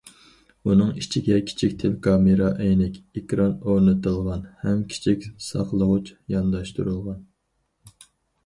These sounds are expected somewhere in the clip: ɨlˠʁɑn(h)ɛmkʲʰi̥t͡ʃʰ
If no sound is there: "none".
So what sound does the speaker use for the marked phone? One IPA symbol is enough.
h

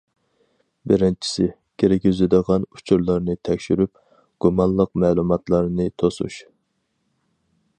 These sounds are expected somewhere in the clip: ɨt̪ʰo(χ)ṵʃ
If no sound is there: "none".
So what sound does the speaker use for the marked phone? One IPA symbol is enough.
s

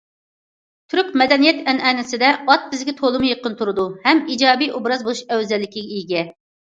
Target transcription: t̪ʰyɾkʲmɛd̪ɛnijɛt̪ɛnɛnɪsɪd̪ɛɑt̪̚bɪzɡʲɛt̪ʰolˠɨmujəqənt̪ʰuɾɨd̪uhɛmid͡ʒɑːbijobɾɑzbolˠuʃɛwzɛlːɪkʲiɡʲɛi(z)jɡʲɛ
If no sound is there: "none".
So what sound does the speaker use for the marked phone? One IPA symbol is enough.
none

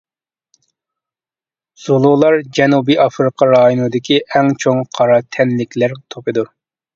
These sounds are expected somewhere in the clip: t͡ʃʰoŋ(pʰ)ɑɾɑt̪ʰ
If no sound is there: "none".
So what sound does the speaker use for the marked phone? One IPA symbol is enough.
qʰ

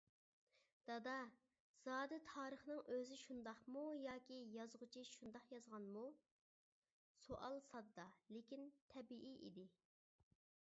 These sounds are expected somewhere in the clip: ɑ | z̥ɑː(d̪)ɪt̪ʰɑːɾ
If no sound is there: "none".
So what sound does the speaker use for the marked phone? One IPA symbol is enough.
d̪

